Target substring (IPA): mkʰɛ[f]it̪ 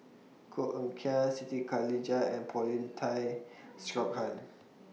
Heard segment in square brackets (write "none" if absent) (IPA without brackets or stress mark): s